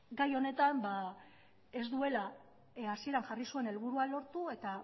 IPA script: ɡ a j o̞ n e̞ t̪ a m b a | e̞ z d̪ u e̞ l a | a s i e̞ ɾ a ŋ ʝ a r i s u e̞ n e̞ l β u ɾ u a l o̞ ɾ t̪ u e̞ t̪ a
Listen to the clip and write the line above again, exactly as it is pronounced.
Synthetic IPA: ɡ a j o̞ n e̞ t̪ a m b a | e̞ z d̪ u e̞ l a | a s i e̞ ɾ a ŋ ʝ a r i s u e̞ n e̞ l β u ɾ u a l o̞ ɾ t̪ u e̞ t̪ a